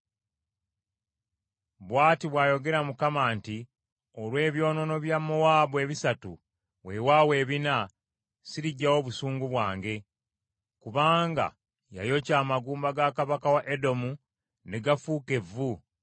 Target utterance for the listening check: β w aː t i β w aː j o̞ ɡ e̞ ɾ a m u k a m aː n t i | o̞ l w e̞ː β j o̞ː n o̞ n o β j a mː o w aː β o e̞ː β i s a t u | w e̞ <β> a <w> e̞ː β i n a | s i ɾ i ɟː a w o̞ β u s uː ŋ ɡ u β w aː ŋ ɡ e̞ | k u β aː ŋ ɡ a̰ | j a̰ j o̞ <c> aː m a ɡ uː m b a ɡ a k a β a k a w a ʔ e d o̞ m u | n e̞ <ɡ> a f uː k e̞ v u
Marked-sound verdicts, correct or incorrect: incorrect: w, correct, correct, correct

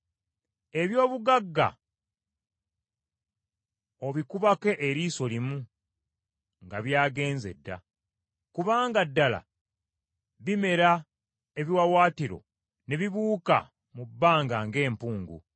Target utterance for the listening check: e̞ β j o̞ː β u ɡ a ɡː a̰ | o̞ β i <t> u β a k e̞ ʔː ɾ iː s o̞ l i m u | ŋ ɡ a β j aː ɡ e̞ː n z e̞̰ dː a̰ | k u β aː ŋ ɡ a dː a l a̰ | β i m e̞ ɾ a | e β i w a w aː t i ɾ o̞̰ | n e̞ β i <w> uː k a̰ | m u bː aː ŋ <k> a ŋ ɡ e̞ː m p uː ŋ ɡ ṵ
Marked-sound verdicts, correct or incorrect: incorrect: k, incorrect: β, incorrect: ɡ

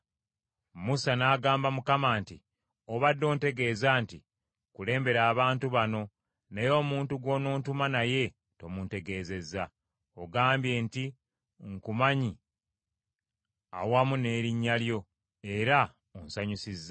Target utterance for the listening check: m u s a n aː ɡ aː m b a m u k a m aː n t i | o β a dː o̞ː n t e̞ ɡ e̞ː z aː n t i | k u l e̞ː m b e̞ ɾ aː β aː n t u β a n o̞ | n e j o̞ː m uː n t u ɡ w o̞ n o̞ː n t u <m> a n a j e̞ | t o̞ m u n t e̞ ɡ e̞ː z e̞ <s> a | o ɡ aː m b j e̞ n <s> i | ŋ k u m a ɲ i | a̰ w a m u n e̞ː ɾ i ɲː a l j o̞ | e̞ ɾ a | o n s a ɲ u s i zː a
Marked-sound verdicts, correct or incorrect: correct, incorrect: z, incorrect: t

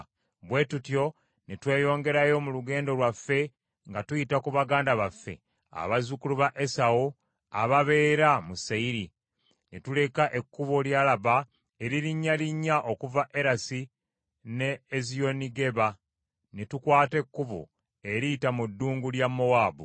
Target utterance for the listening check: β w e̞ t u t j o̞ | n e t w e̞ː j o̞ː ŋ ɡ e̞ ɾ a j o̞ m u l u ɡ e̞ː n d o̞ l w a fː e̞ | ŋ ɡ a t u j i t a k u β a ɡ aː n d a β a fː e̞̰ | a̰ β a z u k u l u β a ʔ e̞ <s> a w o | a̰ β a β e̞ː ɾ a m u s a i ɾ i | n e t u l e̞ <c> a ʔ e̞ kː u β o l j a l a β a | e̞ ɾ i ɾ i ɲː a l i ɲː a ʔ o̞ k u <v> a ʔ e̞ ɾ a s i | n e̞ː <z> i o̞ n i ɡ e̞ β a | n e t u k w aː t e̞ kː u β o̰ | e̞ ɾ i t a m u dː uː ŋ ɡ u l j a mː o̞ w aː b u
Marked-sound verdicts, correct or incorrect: correct, incorrect: k, correct, correct

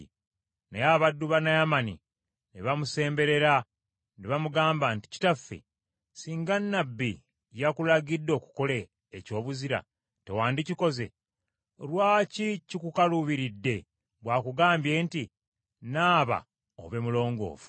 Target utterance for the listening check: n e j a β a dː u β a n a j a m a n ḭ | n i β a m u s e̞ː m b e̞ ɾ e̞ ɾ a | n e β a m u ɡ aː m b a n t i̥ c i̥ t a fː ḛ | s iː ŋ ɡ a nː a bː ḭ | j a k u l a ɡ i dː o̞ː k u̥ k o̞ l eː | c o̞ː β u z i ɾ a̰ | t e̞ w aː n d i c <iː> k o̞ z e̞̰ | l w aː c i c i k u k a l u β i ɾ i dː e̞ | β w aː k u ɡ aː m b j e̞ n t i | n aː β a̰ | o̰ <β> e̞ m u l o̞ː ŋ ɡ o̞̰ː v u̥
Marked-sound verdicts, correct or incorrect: incorrect: i, correct

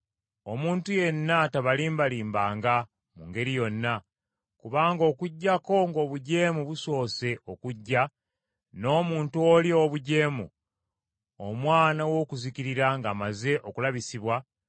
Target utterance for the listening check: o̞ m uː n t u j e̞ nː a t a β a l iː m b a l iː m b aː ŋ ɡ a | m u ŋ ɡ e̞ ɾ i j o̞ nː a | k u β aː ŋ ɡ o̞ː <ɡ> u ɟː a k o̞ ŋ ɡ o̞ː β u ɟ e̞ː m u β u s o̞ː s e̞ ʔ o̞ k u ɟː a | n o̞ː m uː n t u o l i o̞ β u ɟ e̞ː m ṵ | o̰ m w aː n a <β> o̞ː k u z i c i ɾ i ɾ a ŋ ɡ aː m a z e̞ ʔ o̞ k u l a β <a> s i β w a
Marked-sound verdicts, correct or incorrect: incorrect: k, incorrect: w, incorrect: i

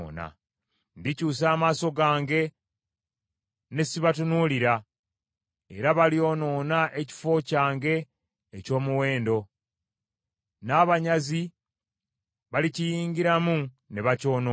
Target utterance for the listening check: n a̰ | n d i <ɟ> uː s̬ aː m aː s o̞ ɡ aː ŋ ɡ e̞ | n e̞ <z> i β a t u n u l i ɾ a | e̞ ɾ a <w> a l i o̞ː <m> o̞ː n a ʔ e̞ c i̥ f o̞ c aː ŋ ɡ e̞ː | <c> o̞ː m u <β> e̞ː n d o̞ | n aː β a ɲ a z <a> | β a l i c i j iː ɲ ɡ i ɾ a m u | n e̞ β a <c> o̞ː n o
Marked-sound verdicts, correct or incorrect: incorrect: c, incorrect: s, incorrect: β, incorrect: n, correct, incorrect: w, incorrect: i, correct

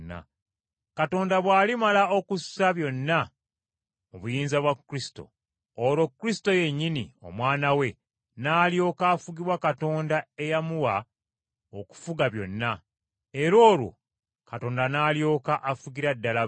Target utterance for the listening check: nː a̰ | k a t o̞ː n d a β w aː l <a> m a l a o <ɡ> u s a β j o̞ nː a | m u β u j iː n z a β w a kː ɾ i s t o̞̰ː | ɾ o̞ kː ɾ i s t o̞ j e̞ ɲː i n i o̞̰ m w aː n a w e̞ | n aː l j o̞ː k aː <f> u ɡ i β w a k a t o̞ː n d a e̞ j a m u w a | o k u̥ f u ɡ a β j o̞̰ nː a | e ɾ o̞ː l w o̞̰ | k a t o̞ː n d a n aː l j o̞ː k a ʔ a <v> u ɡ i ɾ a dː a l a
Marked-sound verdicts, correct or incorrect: incorrect: i, incorrect: k, correct, incorrect: f

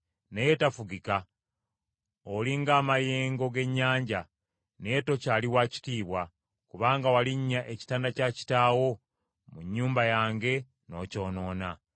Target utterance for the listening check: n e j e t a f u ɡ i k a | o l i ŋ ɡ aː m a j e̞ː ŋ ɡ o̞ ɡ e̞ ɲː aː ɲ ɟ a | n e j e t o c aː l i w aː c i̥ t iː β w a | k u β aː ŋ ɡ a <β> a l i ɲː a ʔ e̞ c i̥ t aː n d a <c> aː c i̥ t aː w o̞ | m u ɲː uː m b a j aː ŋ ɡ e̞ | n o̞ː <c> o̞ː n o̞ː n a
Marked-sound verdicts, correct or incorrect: incorrect: w, correct, correct

